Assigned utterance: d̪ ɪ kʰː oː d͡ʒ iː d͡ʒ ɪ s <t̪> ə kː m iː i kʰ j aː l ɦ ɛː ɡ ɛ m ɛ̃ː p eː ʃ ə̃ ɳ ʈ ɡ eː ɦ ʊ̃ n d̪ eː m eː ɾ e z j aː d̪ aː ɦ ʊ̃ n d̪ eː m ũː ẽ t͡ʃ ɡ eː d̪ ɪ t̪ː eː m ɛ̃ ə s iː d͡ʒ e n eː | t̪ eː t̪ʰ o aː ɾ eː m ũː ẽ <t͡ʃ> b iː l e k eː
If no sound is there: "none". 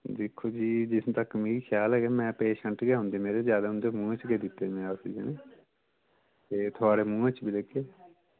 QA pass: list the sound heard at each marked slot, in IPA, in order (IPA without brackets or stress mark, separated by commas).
t̪, t͡ʃ